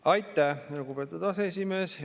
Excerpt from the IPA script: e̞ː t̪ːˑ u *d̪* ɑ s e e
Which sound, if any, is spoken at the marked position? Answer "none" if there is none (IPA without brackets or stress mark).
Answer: d̪